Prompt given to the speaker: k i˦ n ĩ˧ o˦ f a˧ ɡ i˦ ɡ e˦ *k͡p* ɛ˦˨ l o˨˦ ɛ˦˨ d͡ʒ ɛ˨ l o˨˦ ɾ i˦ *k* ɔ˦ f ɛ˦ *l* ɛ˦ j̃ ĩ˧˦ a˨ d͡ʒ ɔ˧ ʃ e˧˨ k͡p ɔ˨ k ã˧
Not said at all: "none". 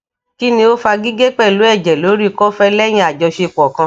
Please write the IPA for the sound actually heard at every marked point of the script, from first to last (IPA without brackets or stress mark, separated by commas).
k͡p, k, l